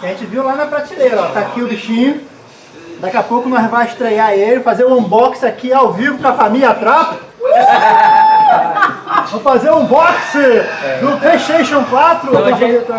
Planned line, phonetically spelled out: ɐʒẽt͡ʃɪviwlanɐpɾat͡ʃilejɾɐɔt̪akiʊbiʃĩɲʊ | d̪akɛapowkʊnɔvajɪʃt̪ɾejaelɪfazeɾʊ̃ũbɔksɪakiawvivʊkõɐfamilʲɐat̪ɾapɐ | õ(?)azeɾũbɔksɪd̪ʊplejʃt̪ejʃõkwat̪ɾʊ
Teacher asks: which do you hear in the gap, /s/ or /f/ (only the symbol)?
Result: f